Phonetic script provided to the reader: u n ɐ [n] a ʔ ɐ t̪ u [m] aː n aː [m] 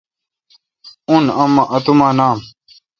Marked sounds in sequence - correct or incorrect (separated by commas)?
incorrect, correct, correct